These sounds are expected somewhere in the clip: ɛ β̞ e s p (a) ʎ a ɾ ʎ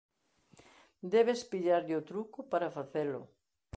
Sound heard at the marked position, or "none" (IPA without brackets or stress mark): i